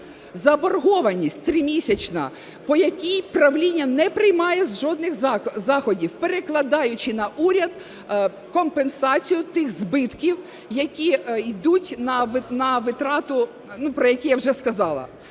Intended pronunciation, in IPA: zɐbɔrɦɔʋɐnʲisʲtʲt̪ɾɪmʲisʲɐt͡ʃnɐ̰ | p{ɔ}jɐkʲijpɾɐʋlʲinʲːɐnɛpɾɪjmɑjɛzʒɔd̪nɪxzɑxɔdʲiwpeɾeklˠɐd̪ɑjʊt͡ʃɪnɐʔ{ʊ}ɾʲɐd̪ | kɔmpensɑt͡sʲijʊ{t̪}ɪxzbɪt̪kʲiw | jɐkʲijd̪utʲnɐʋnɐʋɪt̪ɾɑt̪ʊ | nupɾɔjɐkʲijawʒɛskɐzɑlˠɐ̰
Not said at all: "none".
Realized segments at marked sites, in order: ɔ, u, t̪

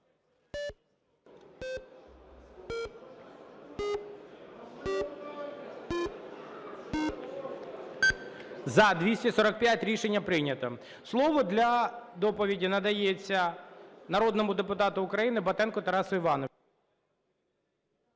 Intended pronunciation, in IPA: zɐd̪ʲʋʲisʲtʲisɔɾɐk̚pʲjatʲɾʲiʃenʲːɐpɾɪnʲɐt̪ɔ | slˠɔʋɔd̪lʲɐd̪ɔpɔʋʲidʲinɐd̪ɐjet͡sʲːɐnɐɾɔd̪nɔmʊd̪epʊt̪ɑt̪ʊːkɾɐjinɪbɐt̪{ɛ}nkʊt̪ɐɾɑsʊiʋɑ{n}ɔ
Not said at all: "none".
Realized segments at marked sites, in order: ɛ, n

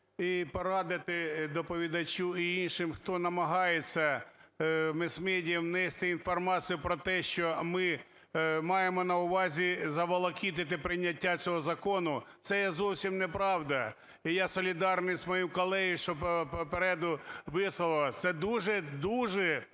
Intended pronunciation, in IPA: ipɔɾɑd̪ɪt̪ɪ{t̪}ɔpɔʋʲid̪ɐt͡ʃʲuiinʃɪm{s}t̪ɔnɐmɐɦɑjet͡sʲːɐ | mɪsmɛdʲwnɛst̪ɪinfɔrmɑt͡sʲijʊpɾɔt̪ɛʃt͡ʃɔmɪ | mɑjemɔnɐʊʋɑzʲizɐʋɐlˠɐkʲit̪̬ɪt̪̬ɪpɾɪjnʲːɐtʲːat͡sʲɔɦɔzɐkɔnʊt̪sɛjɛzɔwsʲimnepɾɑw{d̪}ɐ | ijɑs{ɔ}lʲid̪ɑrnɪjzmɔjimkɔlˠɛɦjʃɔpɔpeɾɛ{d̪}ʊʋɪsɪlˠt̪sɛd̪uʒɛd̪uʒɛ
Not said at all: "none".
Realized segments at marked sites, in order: d̪, x, d̪, ɔ, d̪

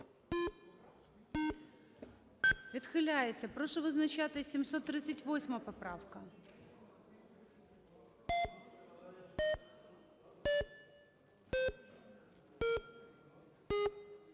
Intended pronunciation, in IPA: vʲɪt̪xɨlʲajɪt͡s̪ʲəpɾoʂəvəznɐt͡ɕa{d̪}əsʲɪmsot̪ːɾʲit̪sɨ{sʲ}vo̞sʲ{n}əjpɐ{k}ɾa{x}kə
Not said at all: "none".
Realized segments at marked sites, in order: t̪, tʲ, m, p, f

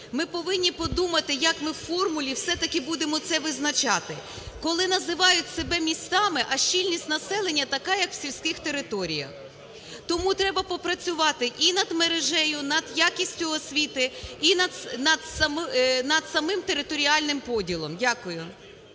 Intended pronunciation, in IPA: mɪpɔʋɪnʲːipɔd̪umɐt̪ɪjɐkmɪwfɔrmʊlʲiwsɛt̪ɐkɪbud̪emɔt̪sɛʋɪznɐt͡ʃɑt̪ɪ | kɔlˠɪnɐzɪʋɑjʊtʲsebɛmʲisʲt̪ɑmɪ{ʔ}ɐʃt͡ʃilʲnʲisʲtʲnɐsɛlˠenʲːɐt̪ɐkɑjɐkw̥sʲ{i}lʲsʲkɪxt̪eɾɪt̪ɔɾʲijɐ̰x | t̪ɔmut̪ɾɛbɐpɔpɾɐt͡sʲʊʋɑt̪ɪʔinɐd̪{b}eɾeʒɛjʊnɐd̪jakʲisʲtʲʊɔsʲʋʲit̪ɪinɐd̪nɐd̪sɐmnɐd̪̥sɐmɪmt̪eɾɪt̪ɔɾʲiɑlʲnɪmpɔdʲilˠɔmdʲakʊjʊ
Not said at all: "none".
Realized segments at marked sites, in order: ʔ, i, m

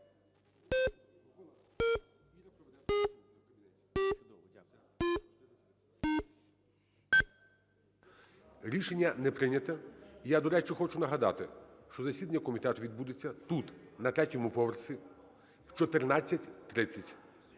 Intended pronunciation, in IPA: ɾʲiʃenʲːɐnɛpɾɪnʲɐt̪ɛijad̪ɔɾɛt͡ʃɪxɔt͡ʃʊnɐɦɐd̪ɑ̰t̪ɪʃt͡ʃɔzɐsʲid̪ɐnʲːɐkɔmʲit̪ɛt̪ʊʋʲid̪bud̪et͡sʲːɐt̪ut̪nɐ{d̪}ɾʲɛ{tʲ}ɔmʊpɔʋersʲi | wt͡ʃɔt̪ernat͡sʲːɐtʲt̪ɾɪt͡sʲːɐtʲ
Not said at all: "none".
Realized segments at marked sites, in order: t̪, tʲ

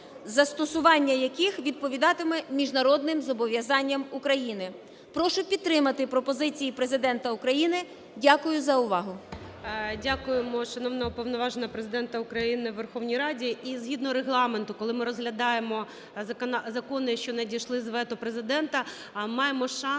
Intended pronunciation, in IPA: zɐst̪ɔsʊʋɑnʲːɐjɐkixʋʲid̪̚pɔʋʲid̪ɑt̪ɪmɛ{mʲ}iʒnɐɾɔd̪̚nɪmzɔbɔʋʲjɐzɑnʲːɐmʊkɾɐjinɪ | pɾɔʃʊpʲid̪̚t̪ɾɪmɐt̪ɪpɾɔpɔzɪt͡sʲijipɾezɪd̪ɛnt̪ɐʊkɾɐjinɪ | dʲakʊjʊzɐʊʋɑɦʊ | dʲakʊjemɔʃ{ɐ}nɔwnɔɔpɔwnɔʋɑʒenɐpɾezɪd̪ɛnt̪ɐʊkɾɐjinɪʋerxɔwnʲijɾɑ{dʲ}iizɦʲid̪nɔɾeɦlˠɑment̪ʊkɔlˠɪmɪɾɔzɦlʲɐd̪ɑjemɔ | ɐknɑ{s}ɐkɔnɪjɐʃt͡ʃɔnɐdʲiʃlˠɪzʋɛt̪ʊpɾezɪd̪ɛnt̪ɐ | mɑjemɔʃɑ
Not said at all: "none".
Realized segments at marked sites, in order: mʲ, ɐ, dʲ, z

